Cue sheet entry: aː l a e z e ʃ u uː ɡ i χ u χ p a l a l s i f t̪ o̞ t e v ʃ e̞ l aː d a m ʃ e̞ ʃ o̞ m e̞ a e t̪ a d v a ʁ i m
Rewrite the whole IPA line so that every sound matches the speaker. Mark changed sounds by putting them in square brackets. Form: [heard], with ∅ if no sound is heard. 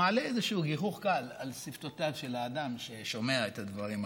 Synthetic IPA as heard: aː l [e] e z e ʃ u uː ɡ i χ u χ [k] a l a l s i f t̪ o̞ t [a] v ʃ e̞ l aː d a m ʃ e̞ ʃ o̞ m e̞ a e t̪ a d v a ʁ i m